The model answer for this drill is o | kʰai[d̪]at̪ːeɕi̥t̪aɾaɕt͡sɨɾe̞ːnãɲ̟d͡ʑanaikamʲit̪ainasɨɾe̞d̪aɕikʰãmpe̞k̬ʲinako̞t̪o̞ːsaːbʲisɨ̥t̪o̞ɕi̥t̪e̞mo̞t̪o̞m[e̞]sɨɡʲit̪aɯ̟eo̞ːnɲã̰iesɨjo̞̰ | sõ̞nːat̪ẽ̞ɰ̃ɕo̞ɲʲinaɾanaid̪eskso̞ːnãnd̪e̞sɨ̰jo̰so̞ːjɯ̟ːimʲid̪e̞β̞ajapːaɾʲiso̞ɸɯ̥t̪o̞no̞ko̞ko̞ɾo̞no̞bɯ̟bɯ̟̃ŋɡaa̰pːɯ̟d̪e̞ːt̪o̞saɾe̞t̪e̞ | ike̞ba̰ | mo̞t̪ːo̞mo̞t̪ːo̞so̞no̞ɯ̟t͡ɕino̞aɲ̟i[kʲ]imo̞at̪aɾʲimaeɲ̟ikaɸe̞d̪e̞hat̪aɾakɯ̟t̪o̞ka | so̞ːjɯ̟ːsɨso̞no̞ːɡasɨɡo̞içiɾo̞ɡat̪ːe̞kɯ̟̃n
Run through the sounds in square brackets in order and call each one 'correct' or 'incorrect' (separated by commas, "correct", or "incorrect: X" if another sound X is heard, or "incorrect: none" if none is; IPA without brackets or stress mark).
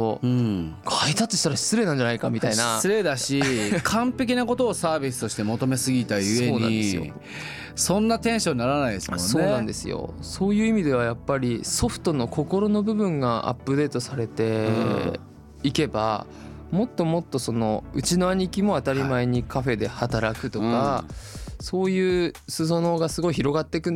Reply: incorrect: t̪, correct, correct